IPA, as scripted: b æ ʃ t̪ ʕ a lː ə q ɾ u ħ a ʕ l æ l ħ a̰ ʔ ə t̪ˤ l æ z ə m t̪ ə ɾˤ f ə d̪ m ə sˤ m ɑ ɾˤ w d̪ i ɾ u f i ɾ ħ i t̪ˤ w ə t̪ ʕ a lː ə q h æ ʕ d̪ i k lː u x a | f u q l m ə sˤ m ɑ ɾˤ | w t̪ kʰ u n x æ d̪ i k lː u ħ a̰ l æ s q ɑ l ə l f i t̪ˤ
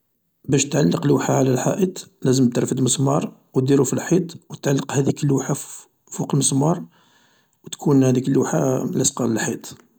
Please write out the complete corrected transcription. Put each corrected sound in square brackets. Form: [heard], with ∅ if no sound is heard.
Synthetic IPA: b æ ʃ t̪ ʕ a lː ə q [l] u ħ a ʕ l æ l ħ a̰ ʔ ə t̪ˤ l æ z ə m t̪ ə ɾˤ f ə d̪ m ə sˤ m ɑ ɾˤ w d̪ i ɾ u f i [l] ħ i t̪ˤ w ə t̪ ʕ a lː ə q h æ [∅] d̪ i k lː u [ħ] a | f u q l m ə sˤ m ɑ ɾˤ | w t̪ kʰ u n [h] æ d̪ i k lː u ħ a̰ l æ s q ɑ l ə l [ħ] i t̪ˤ

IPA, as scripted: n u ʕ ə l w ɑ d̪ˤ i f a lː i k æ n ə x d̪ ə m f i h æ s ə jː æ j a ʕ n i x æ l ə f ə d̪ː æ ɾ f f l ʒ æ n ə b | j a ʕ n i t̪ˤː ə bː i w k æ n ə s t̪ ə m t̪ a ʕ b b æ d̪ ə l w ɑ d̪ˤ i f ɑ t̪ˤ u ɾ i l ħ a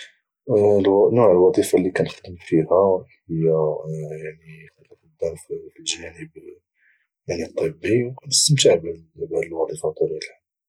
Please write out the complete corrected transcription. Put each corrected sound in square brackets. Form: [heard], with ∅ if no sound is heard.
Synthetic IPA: n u ʕ ə l w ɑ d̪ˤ i f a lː i k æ n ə x d̪ ə m f i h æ [h] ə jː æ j a ʕ n i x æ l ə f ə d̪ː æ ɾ f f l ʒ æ n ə b | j a ʕ n i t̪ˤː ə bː i w k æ n ə s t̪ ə m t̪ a ʕ b b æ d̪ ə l w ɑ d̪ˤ i f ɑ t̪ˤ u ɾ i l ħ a

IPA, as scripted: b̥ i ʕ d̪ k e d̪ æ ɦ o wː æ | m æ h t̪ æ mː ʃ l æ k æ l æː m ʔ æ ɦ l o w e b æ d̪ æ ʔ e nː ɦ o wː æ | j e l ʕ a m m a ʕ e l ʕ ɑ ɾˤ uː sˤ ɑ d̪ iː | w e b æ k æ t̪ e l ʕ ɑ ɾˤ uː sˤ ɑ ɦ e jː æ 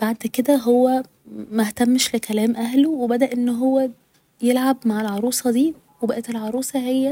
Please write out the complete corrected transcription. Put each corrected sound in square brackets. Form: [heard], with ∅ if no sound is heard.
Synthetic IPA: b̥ [a] ʕ d̪ k e d̪ æ ɦ o wː æ | m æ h t̪ æ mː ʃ l [e] k æ l æː m ʔ æ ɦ l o w e b æ d̪ æ ʔ e nː ɦ o wː æ | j e l ʕ a [b] m a ʕ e l ʕ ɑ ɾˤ uː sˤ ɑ d̪ iː | w e b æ [ʔ] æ t̪ e l ʕ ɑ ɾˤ uː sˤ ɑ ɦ e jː æ

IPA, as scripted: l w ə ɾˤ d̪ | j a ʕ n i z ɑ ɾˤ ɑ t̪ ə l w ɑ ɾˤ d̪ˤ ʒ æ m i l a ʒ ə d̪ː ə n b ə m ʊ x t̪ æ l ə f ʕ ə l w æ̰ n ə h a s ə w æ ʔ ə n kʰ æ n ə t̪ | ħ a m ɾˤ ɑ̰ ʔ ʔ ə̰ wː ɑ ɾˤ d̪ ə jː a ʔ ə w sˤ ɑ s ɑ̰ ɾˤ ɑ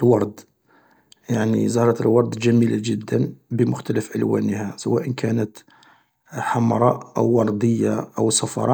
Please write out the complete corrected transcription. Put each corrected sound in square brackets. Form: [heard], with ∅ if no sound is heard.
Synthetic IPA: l w [ɑ] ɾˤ d̪ | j a ʕ n i z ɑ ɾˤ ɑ t̪ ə l w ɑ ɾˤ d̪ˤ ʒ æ m i l a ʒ ə d̪ː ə n b ə m ʊ x t̪ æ l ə f ʕ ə l w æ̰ n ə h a s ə w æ ʔ ə n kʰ æ n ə t̪ | ħ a m ɾˤ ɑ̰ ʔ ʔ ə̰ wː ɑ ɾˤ d̪ ə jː a ʔ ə w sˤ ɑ [f] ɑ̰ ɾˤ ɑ

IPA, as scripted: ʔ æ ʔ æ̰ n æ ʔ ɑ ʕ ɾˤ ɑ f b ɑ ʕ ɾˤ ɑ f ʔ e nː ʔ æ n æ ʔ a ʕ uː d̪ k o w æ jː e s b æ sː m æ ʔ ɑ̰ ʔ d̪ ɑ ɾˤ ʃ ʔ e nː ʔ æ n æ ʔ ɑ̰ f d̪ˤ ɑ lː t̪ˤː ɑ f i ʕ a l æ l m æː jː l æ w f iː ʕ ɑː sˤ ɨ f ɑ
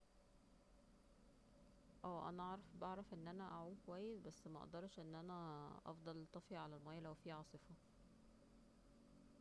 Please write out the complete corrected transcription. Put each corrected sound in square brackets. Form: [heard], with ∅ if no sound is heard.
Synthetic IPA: ʔ [æː] ʔ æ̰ n æ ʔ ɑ ʕ ɾˤ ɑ f b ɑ ʕ ɾˤ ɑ f ʔ e nː ʔ æ n æ ʔ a ʕ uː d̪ k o w æ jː e s b æ sː m æ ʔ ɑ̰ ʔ d̪ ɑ ɾˤ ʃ ʔ e nː ʔ æ n æ ʔ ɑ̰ f d̪ˤ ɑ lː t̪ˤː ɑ f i ʕ a l æ l m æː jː l æ w f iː ʕ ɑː sˤ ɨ f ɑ

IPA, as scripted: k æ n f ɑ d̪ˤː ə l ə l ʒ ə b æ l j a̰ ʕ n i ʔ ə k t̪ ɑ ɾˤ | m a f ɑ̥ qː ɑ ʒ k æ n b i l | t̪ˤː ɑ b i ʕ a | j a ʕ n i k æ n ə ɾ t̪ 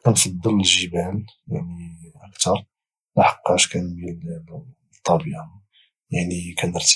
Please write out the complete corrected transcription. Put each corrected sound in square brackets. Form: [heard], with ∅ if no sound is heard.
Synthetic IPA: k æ n f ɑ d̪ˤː ə l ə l ʒ ə b æ l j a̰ ʕ n i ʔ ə k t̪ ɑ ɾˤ | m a [ħ] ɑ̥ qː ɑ [ʃ] k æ n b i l | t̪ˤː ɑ b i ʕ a | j a ʕ n i k æ n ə ɾ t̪

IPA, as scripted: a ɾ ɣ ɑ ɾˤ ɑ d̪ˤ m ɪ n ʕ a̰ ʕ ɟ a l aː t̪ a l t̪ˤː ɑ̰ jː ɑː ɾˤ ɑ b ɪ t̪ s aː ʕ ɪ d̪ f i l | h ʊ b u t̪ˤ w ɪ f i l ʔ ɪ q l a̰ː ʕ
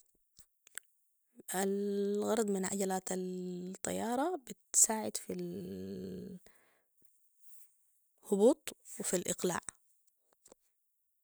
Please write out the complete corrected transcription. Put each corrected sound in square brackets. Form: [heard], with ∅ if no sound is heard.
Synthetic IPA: a [l] ɣ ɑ ɾˤ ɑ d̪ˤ m ɪ n ʕ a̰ [∅] ɟ a l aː t̪ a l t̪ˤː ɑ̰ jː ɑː ɾˤ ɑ b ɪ t̪ s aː ʕ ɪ d̪ f i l | h ʊ b [uː] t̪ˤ w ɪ f i l ʔ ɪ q l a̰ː ʕ

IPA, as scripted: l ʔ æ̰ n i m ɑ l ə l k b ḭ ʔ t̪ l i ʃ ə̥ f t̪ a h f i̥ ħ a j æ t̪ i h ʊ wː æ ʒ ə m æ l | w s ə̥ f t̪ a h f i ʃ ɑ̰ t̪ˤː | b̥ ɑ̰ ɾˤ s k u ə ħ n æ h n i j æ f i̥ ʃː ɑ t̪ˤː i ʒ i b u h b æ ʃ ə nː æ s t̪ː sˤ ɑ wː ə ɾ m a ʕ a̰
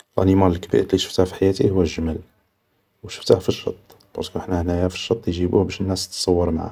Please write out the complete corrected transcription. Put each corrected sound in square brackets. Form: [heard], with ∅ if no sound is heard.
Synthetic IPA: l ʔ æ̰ n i m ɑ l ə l k b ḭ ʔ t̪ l i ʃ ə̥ f t̪ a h f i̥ ħ a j æ t̪ i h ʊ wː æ ʒ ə m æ l | w [ʃ] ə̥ f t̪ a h f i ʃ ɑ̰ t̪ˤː | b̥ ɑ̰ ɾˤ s k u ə ħ n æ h n [æ] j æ f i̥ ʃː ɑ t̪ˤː [j] ʒ i b u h b æ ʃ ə nː æ s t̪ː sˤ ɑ wː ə ɾ m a ʕ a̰

